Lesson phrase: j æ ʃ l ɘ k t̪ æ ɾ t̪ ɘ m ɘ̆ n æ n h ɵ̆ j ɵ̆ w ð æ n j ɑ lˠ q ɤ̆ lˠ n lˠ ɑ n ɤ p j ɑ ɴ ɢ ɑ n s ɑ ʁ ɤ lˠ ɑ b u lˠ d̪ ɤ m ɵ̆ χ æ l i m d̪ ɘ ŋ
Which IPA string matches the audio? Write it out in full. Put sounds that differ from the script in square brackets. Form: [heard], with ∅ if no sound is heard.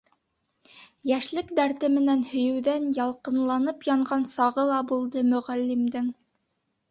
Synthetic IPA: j æ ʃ l ɘ k [d̪] æ ɾ t̪ ɘ m ɘ̆ n æ n h ɵ̆ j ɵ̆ w ð æ n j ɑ lˠ q ɤ̆ [∅] n lˠ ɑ n ɤ p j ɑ ɴ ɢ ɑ n s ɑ ʁ ɤ lˠ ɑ b u lˠ d̪ ɤ m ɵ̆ [ʁ] æ [lː] i m d̪ ɘ ŋ